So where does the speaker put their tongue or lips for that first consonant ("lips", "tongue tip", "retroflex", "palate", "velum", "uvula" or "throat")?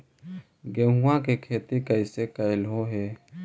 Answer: velum